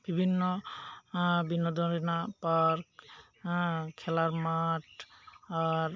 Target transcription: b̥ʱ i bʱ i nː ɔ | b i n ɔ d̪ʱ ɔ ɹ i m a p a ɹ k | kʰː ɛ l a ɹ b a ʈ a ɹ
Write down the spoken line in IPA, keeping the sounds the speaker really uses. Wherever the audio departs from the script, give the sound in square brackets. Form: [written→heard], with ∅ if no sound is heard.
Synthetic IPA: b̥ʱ i bʱ i nː ɔ | b i n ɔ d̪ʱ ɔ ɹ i [m→n] a p a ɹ k | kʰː ɛ l a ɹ [b→m] a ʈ a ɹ